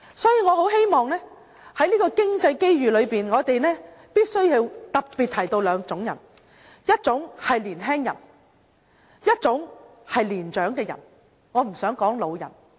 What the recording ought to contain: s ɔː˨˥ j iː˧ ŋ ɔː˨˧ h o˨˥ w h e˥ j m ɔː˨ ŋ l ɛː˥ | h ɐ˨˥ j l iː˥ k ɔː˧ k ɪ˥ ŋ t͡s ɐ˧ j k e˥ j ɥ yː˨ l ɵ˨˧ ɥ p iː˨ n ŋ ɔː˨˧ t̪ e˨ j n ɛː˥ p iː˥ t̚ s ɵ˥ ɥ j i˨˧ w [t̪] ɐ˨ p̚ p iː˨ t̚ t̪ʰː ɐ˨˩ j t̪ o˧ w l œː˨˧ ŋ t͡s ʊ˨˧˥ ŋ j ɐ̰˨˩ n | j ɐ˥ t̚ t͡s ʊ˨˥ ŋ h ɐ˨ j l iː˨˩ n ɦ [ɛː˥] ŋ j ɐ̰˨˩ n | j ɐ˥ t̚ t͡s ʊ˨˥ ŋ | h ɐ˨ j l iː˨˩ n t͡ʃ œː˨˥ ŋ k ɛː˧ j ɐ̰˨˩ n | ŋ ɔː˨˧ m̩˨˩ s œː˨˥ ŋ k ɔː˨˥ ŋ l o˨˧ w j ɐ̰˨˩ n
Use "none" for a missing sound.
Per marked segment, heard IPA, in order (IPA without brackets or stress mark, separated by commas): t̪, ɛː˥